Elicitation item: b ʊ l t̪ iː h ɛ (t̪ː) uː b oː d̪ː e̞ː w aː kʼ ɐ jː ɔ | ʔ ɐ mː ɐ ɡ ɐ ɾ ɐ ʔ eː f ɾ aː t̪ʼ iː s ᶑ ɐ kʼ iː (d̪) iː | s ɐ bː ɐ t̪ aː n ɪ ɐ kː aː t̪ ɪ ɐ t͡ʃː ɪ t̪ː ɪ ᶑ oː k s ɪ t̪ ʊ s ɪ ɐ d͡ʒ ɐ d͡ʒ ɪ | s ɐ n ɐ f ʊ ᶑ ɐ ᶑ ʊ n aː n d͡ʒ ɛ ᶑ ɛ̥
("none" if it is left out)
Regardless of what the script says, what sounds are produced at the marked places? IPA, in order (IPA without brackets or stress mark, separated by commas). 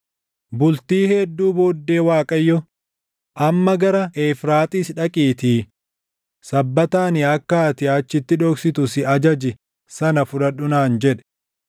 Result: d̪ː, t̪